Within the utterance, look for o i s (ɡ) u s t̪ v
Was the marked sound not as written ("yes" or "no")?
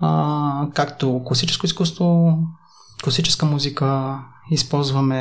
yes